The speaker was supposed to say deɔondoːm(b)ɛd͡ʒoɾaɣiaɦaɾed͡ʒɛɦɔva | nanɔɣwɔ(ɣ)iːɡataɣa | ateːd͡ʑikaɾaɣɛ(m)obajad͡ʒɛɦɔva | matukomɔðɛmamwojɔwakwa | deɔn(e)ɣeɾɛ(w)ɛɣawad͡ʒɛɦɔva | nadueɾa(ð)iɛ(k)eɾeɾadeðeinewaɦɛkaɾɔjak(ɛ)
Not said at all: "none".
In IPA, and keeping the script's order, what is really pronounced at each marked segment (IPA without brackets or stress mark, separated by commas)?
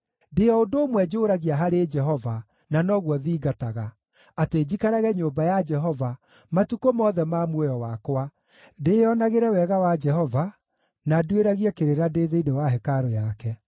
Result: w, ð, ɲ, a, w, ɣ, k, ɛ